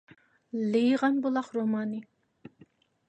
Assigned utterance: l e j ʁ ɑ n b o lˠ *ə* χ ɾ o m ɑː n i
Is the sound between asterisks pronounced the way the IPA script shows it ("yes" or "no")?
no